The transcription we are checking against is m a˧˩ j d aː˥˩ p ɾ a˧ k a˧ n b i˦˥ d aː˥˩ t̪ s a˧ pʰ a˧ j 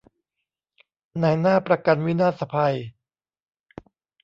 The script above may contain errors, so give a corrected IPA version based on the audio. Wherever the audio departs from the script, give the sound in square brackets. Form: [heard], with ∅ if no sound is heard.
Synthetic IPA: [n] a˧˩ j [n] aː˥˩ p ɾ a˧ k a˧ n [w] i˦˥ [n] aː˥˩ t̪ s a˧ pʰ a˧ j